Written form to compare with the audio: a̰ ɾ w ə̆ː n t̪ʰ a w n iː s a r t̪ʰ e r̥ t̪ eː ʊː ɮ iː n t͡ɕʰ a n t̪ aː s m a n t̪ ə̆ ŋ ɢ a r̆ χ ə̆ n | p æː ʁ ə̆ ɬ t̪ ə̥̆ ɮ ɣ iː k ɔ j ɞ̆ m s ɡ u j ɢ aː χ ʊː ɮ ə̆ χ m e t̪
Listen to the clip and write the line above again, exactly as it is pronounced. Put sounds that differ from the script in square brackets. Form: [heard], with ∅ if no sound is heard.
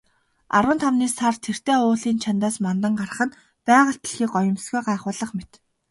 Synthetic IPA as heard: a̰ ɾ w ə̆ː n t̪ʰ a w n iː s a r t̪ʰ e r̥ t̪ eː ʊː ɮ iː n t͡ɕʰ a n t̪ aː s m a n t̪ ə̆ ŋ ɢ a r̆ χ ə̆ n | p æː ʁ ə̆ ɬ t̪ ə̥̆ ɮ [x] iː k ɔ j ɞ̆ m s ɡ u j ɢ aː χ ʊː ɮ ə̆ χ m e t̪